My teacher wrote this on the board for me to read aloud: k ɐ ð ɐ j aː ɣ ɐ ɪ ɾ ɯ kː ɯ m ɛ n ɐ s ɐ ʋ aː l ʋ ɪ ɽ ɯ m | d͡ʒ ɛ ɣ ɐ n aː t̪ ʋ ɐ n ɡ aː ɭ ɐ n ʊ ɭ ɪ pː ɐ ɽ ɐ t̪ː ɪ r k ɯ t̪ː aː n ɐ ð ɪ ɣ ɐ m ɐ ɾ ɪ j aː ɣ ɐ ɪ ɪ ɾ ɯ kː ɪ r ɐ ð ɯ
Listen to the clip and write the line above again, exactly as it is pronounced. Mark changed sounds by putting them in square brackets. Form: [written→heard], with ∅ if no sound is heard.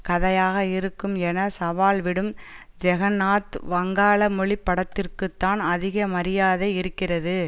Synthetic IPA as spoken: k ɐ ð ɐ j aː ɣ ɐ ɪ ɾ ɯ kː ɯ m ɛ n ɐ s ɐ ʋ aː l ʋ ɪ ɽ ɯ m | d͡ʒ ɛ ɣ ɐ n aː t̪ ʋ ɐ [n→ŋ] ɡ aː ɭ ɐ [n→m] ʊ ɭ ɪ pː ɐ ɽ ɐ t̪ː ɪ r k ɯ t̪ː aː n ɐ ð ɪ ɣ ɐ m ɐ ɾ ɪ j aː [ɣ→ð] ɐ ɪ ɪ ɾ ɯ kː ɪ r ɐ ð ɯ